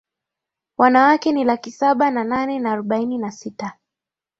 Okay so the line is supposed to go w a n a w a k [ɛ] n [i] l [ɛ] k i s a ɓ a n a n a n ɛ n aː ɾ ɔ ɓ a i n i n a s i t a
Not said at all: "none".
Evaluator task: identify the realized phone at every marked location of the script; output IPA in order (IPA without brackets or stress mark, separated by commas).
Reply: ɛ, i, a